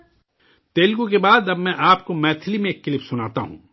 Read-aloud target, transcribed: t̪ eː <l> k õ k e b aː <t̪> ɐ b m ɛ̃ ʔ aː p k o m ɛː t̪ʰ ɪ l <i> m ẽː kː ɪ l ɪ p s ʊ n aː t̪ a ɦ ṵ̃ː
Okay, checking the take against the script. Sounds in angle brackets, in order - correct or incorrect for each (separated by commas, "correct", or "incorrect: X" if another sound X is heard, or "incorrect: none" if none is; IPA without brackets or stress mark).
correct, incorrect: d̪, correct